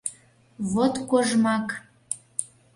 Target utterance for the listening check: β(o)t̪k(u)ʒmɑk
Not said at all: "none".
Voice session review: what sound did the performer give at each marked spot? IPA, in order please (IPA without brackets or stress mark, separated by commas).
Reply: o, o